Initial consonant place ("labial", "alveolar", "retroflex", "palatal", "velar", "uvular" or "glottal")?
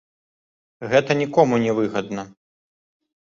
velar